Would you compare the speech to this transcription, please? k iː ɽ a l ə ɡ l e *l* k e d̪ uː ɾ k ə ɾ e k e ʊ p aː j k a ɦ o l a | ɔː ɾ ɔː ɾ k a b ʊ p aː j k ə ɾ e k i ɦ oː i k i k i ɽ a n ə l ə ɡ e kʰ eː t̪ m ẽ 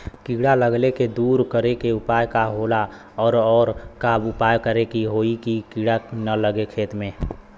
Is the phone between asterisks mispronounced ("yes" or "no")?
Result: yes